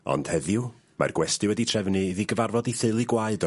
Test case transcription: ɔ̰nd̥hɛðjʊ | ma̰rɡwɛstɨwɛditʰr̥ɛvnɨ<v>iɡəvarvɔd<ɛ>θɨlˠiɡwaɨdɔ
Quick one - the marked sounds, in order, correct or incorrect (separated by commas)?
incorrect, incorrect